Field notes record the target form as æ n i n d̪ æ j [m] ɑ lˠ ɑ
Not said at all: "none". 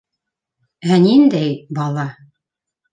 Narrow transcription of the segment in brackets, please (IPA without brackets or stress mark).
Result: b